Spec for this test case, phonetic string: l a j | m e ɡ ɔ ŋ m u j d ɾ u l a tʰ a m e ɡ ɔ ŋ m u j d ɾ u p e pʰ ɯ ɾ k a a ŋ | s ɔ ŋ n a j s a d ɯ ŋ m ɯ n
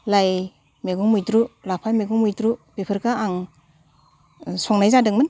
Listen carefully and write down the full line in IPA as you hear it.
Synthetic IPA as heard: l a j | m e ɡ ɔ ŋ m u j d ɾ u l a pʰ a m e ɡ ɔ ŋ m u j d ɾ u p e pʰ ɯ ɾ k a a ŋ | s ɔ ŋ n a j z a d ɯ ŋ m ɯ n

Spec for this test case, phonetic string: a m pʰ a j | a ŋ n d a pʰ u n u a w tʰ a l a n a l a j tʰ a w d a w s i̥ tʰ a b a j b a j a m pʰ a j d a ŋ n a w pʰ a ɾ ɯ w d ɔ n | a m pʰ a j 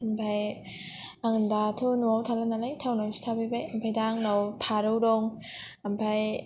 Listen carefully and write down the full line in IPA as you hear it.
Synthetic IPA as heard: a m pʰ a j | a ŋ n d a tʰ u n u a w tʰ a l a n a l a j tʰ a w n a w s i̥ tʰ a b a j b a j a m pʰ a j d a ŋ n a w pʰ a ɾ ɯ w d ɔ ŋ | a m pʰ a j

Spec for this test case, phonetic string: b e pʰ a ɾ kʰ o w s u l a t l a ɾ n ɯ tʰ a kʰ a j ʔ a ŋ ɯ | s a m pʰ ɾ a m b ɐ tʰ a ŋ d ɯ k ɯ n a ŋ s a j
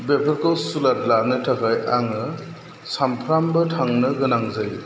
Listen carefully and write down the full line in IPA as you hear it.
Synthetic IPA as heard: b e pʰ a ɾ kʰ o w s u l a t l a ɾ n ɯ tʰ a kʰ a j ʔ a ŋ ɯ | s a m pʰ ɾ a m b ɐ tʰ a ŋ n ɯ ɡ ɯ n a ŋ z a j

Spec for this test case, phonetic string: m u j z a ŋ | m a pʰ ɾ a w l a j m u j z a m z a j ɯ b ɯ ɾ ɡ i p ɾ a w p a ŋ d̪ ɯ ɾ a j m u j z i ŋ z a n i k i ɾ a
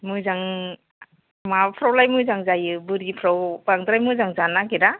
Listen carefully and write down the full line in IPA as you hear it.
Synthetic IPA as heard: m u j z a ŋ | m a pʰ ɾ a w l a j m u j z a ŋ z a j ɯ b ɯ ɾ ɡ i pʰ ɾ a w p a ŋ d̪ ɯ ɾ a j m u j z a ŋ z a n a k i ɾ a

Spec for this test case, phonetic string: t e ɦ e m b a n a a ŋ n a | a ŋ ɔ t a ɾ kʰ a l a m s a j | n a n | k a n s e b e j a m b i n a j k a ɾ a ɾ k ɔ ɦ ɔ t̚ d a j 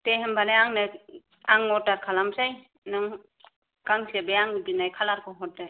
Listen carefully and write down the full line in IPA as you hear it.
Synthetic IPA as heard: t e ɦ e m b a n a a ŋ n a | a ŋ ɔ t a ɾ kʰ a l a m s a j | n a ŋ | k a ŋ s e b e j a ŋ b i n a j kʰ a l a ɾ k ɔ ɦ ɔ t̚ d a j

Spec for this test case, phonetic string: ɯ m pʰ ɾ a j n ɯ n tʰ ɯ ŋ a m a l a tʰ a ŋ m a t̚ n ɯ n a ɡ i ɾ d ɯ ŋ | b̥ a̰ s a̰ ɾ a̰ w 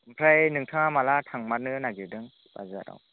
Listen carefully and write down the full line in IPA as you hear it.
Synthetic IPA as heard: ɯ m pʰ ɾ a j n ɯ ŋ tʰ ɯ ŋ a m a l a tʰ a ŋ m a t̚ n ɯ n a ɡ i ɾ d ɯ ŋ | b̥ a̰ z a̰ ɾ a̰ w

